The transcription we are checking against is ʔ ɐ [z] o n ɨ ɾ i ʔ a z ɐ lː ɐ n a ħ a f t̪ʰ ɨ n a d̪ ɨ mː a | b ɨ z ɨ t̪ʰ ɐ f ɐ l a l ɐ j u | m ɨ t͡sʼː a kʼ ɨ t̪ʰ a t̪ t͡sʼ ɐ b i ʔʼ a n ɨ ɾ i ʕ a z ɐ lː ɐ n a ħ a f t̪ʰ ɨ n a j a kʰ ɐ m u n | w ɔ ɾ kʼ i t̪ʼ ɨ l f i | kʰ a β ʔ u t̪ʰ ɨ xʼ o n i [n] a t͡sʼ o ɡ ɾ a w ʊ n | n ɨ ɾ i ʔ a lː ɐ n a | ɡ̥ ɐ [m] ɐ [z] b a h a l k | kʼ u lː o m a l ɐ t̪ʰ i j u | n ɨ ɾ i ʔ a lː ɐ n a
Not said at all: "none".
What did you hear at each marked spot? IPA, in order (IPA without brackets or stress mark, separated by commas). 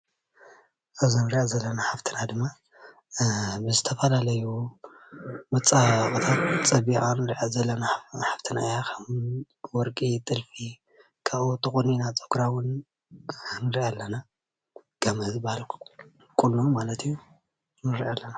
z, n, m, z